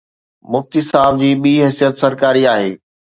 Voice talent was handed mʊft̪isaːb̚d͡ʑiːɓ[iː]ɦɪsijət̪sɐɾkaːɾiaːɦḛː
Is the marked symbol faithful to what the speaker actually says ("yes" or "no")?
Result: yes